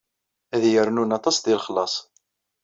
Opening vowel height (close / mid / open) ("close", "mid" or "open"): open